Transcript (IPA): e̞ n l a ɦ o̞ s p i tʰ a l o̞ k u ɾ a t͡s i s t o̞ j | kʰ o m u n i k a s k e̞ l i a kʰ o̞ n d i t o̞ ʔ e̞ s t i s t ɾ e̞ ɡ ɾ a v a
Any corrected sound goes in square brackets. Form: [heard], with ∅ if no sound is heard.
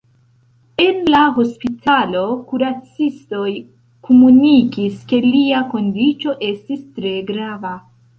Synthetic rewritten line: e̞ n l a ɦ o̞ s p i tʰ a l o̞ k u ɾ a t͡s i s t o̞ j | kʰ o m u n i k [i] s k e̞ l i a [k] o̞ n d i [t͡ʃ] o̞ ʔ e̞ s t i s t ɾ e̞ ɡ ɾ a v a